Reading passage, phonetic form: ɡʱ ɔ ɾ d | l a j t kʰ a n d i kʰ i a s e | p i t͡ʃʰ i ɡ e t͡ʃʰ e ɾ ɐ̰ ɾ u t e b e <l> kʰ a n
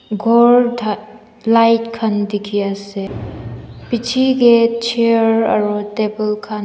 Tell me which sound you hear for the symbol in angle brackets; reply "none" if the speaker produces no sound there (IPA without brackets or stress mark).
l